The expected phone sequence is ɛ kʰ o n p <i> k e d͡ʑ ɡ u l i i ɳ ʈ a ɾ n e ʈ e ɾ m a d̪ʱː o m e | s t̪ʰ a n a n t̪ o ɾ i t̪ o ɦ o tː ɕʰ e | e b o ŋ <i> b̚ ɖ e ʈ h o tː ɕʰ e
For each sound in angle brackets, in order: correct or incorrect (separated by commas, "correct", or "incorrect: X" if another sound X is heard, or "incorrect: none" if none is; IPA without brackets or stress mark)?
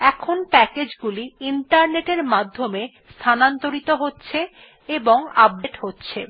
incorrect: ɛ, incorrect: a